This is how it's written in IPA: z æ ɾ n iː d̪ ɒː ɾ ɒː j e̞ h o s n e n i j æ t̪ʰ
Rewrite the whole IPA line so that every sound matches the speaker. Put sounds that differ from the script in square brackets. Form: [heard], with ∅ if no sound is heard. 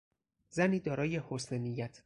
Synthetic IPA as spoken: z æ [∅] n iː d̪ ɒː ɾ ɒː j e̞ h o s n e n i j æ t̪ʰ